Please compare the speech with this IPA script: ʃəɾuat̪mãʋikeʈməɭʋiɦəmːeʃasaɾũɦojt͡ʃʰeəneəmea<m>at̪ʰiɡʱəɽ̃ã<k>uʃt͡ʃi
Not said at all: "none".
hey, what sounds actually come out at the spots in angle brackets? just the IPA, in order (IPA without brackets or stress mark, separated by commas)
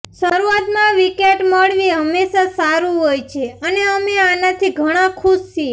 n, kʰ